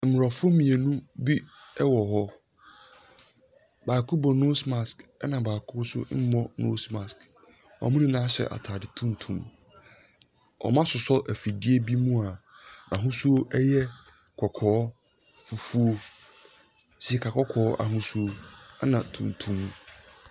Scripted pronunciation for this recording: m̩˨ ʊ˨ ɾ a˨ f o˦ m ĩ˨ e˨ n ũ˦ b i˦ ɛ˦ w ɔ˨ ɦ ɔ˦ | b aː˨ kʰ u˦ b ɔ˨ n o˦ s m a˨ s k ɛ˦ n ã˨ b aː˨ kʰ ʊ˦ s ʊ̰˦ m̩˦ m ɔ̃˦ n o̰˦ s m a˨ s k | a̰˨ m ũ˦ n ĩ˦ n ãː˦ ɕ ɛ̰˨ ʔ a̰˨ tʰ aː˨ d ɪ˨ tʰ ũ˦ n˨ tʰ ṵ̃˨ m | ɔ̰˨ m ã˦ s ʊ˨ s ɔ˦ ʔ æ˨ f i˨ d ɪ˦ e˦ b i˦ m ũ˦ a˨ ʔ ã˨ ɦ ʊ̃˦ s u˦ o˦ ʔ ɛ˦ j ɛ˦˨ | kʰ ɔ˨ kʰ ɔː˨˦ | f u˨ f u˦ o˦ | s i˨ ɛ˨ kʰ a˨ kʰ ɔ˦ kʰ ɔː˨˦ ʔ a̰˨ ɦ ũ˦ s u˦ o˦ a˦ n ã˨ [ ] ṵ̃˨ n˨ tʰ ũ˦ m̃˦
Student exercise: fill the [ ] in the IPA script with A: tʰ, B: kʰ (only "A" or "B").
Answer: A